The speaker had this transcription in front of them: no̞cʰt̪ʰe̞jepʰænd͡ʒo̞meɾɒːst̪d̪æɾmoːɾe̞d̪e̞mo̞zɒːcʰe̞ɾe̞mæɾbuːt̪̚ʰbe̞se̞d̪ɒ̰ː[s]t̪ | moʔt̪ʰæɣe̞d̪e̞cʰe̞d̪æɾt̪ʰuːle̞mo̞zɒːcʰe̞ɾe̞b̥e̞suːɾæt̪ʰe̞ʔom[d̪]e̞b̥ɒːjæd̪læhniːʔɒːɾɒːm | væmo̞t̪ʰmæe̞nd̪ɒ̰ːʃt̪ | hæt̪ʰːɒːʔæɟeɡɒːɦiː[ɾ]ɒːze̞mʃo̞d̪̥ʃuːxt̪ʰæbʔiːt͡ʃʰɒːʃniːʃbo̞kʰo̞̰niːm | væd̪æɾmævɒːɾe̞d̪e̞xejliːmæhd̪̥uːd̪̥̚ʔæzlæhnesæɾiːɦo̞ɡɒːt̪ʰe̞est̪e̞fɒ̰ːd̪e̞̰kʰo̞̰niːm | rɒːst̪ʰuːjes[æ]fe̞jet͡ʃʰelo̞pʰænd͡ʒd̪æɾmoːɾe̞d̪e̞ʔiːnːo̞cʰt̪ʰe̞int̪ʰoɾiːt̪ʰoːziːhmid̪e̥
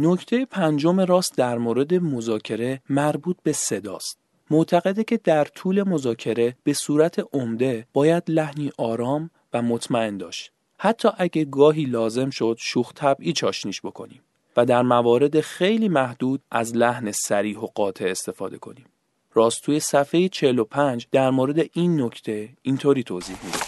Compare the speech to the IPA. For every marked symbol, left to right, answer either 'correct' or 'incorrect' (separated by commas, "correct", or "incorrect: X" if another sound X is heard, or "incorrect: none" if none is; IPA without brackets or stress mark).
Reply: correct, correct, incorrect: l, correct